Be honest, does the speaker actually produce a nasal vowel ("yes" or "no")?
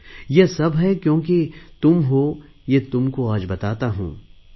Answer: yes